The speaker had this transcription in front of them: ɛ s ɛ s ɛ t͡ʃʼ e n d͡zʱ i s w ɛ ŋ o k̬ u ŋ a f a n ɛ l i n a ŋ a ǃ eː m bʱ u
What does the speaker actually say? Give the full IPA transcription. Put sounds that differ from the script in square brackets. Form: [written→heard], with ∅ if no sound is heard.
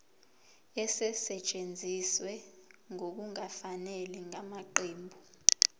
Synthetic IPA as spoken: ɛ s ɛ s ɛ t͡ʃʼ e n d͡zʱ i s w ɛ ŋ o k̬ u ŋ a f a n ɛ l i [n→ŋ] a [ŋ→m] a ǃ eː m bʱ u